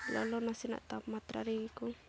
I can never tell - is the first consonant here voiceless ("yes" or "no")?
no